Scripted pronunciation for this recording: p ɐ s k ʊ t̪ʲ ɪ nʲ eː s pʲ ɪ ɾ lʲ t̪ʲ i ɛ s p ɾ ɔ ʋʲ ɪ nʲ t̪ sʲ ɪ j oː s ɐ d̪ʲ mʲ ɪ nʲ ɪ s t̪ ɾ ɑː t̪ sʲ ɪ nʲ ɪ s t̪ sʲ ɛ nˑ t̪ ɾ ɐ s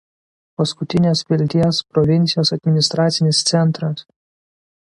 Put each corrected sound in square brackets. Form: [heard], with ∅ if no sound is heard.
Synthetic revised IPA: p ɐ s k ʊ t̪ʲ ɪ nʲ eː s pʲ ɪ [∅] lʲ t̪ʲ i ɛ s p ɾ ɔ ʋʲ ɪ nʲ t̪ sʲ ɪ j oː s ɐ d̪ʲ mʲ ɪ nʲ ɪ s t̪ ɾ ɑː t̪ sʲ ɪ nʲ ɪ s t̪ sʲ ɛ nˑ t̪ ɾ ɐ s